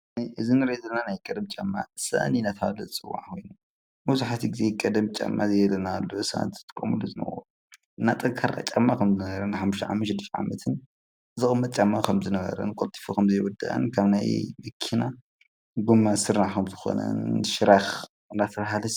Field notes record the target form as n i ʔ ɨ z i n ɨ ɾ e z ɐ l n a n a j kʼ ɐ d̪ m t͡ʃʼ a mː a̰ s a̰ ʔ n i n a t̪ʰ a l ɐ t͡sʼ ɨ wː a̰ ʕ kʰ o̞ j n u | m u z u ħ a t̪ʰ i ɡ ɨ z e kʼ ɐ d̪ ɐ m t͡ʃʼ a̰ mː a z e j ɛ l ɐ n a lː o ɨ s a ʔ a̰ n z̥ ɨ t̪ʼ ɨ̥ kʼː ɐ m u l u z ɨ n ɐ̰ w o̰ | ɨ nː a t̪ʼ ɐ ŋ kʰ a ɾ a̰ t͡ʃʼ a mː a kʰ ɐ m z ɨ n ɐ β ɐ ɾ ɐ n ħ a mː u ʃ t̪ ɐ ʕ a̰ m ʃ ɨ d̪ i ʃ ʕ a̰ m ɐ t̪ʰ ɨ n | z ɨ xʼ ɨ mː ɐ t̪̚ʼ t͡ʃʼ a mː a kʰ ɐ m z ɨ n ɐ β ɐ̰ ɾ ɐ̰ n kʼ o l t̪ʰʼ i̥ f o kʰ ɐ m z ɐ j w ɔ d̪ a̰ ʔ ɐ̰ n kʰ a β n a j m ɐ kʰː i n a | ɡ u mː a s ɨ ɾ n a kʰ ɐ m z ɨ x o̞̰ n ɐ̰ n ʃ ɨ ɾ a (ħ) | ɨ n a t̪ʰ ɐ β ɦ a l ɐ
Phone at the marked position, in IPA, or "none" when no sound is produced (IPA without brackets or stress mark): x